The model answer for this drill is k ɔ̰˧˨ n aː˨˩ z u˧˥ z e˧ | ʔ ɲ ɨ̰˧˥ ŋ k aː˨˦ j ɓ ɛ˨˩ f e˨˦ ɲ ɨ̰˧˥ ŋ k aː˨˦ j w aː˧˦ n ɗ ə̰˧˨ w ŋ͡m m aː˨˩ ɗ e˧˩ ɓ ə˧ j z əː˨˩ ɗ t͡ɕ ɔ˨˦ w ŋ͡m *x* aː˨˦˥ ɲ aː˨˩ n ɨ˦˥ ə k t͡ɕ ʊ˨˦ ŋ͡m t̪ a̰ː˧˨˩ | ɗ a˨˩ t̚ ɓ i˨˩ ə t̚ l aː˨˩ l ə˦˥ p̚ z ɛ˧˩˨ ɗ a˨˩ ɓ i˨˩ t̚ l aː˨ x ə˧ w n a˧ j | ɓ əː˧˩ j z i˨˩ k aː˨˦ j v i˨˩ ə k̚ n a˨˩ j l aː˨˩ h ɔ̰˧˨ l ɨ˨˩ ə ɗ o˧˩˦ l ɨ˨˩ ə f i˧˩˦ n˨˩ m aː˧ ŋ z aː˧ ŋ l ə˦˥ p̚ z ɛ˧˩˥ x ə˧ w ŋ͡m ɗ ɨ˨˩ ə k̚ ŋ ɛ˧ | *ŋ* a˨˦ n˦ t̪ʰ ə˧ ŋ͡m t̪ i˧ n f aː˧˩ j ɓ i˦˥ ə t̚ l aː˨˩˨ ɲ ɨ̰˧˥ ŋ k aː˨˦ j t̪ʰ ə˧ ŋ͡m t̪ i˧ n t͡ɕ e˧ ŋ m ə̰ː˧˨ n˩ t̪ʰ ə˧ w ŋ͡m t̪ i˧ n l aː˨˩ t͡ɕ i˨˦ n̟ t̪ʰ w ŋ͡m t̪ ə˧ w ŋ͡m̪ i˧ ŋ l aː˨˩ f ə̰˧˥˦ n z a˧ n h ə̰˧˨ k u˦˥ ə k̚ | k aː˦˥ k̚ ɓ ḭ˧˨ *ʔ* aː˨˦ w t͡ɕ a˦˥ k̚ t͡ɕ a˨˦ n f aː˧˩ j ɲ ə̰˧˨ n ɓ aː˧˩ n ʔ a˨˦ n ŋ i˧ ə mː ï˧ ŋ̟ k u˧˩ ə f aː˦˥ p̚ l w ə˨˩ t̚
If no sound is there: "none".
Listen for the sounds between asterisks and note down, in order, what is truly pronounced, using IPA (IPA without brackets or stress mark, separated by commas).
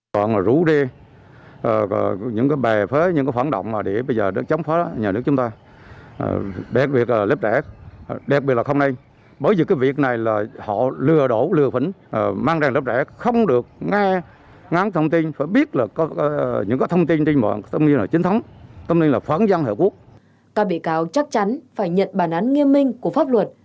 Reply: f, ŋ, k